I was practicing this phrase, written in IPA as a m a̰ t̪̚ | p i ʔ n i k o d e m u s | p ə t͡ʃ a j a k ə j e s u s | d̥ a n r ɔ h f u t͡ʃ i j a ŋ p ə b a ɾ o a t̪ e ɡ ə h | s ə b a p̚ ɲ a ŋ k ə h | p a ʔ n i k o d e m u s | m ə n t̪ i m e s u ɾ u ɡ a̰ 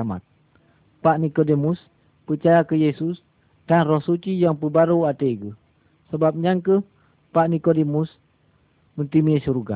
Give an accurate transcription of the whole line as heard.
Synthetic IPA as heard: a m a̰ t̪̚ | p a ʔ n i k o d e m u s | p ə t͡ʃ a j a k ə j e s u s | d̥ a n r ɔ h s u t͡ʃ i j a ŋ p ə b a ɾ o a t̪ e ɡ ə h | s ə b a p̚ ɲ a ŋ k ə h | p a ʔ n i k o d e m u s | m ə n t̪ i m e s u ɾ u ɡ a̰